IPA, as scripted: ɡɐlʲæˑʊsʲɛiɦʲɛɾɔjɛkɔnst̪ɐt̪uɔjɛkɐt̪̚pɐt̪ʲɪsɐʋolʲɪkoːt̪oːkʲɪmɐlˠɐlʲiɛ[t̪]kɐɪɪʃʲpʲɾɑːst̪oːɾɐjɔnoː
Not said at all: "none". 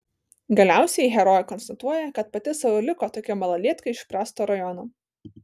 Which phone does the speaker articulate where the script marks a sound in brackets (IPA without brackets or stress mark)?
t̪